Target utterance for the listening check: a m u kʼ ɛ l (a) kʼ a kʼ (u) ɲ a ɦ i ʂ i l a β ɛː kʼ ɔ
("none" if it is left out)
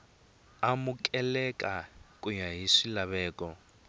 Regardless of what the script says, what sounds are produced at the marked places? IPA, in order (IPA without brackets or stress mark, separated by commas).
ɛ, u